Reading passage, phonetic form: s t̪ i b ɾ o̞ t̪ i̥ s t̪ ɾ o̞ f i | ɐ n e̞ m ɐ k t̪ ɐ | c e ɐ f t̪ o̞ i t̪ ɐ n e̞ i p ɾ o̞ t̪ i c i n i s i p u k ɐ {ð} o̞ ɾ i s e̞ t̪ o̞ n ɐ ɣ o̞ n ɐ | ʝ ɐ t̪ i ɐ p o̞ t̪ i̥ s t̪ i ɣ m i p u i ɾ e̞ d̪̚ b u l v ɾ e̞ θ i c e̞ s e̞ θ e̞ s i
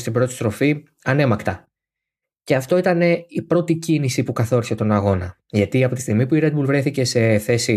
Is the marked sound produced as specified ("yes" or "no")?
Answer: no